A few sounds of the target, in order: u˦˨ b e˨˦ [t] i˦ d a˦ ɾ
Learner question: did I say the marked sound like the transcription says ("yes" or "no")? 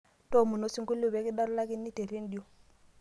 no